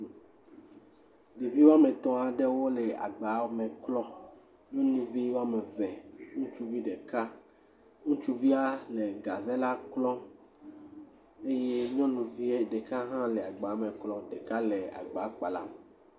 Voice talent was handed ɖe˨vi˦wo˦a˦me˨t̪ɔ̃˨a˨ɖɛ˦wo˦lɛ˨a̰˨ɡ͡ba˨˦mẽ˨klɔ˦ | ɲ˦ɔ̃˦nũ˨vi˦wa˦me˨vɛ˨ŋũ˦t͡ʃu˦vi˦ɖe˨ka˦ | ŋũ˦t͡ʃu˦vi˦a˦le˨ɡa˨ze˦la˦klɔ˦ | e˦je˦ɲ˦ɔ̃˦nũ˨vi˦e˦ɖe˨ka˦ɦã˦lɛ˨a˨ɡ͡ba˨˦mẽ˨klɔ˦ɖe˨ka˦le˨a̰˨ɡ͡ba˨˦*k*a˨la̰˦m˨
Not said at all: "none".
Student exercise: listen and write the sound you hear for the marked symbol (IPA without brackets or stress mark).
k͡p